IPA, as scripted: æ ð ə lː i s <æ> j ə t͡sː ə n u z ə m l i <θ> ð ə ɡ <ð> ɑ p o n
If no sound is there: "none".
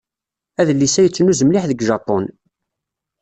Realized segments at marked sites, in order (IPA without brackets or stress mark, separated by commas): æ, ħ, ʒ